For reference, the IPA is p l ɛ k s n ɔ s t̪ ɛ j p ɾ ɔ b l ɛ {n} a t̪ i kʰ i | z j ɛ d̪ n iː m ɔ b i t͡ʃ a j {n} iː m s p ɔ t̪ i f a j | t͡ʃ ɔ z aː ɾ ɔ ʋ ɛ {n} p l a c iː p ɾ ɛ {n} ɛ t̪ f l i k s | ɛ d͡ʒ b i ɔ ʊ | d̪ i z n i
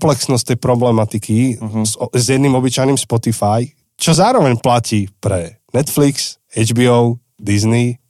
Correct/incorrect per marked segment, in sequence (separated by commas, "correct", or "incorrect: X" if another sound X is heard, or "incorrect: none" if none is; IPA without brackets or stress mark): incorrect: m, correct, incorrect: ɲ, correct